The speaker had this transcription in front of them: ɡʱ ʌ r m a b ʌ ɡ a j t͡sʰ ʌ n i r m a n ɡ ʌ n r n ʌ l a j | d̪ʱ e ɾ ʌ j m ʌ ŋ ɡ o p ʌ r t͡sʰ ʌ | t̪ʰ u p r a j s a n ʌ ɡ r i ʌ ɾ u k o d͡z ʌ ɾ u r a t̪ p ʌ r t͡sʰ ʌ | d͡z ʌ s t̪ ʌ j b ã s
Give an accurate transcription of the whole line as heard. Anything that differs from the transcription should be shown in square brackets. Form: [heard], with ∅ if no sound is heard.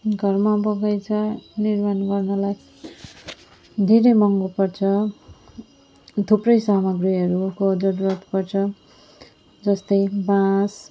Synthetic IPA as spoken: ɡʱ ʌ r m a b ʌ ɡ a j t͡sʰ ʌ n i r m a n ɡ ʌ [∅] r n ʌ l a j | d̪ʱ e ɾ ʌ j m ʌ ŋ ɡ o p ʌ r t͡sʰ ʌ | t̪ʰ u p r [ʌ] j s a [m] ʌ ɡ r i ʌ ɾ u k o d͡z ʌ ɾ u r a t̪ p ʌ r t͡sʰ ʌ | d͡z ʌ s t̪ ʌ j b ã s